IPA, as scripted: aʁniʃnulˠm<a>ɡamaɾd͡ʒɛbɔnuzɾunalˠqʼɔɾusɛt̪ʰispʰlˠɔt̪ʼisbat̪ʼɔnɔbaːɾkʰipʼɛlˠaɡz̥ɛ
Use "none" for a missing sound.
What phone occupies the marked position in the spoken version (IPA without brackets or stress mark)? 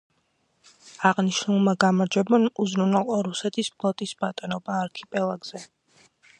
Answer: a